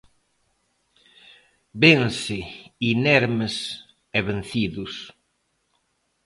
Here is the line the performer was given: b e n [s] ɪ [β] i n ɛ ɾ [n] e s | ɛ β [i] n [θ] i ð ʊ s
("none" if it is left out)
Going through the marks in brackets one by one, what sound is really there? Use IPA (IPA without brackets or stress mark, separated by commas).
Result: s, none, m, e, θ